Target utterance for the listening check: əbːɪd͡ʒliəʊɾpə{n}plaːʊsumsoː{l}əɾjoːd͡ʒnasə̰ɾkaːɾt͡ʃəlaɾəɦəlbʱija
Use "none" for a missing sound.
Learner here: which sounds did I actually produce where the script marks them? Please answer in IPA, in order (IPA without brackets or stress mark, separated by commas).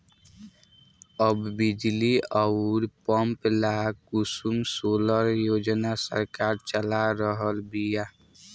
m, l